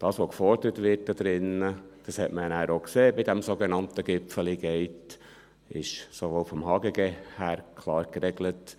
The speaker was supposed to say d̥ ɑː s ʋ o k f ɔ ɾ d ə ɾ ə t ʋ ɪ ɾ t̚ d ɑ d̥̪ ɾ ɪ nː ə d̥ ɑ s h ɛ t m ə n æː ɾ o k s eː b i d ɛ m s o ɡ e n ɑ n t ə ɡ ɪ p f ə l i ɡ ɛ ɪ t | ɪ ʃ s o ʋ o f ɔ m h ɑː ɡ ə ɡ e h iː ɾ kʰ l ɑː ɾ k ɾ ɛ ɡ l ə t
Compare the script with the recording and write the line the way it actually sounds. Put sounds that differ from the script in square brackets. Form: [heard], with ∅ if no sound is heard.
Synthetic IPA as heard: d̥ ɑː s ʋ o k f ɔ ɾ d ə ɾ ə t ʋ ɪ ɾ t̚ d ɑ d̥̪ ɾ ɪ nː ə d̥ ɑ s h ɛ t m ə n æː ɾ o k s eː b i d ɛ m s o ɡ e n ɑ n t ə ɡ ɪ p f ə l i ɡ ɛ ɪ t | ɪ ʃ s o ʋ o f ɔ m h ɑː ɡ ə ɡ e h [æː] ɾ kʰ l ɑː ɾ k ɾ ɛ ɡ l ə t